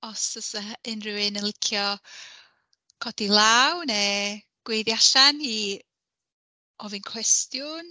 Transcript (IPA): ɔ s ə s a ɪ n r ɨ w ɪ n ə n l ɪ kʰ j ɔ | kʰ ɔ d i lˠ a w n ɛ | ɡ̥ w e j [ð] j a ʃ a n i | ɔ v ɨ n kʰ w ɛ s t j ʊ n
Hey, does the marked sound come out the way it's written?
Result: yes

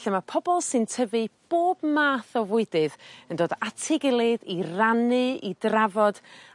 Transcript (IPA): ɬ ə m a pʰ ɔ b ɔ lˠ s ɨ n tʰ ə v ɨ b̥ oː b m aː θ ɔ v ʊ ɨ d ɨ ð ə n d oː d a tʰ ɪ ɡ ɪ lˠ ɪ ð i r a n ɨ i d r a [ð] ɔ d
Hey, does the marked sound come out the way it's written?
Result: no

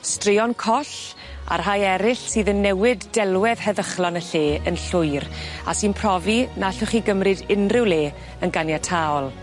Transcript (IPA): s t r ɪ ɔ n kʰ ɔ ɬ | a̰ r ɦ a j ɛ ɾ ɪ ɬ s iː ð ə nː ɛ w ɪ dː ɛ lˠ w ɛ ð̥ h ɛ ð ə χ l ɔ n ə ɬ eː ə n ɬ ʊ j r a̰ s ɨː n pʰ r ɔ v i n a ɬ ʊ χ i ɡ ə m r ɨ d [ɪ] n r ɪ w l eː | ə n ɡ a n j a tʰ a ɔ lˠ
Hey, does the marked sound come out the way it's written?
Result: yes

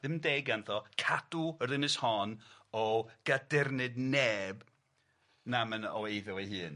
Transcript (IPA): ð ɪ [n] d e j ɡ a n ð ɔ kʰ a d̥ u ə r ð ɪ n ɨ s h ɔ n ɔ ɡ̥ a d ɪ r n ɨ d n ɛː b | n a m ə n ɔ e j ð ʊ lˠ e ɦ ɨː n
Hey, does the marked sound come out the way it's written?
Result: no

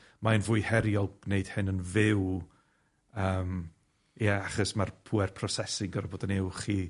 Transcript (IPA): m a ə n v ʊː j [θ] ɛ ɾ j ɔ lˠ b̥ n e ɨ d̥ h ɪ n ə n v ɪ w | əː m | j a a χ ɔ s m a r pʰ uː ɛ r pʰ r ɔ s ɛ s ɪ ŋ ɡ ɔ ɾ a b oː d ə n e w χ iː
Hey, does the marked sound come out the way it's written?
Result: no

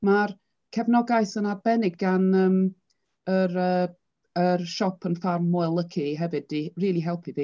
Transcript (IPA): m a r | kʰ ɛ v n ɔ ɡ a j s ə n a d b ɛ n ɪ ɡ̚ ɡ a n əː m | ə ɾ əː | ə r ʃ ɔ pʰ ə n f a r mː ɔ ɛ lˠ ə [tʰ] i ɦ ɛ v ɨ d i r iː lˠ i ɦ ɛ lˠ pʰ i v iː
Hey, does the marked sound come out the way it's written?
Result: no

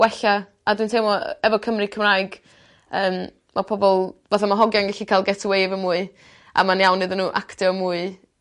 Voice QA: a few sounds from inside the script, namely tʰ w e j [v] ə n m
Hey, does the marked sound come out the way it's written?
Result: yes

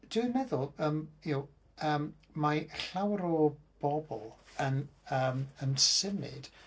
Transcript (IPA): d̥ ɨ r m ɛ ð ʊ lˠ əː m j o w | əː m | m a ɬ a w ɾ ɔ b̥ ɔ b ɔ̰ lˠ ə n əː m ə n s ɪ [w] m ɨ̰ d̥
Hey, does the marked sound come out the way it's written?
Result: no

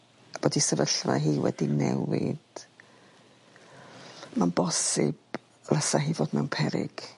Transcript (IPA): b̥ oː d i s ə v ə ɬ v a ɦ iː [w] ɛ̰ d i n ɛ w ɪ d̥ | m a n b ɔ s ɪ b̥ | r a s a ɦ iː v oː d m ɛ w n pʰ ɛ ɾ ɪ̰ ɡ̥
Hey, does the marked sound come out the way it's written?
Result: yes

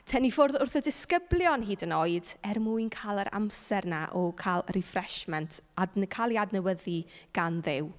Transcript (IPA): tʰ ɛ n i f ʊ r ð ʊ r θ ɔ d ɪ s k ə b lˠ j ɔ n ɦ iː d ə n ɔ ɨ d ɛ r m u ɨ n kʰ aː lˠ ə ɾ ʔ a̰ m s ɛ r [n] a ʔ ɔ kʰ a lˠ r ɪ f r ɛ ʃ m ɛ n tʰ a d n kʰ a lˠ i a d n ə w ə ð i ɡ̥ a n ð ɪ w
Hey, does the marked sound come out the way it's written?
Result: yes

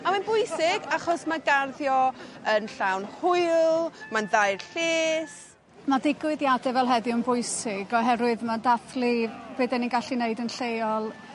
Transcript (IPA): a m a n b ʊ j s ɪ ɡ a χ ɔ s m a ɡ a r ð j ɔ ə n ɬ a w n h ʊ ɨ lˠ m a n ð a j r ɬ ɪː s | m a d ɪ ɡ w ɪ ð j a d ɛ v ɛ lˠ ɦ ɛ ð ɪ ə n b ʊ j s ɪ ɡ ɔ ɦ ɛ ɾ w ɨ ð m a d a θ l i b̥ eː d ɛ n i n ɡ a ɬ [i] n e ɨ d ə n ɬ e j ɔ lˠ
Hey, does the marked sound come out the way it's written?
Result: yes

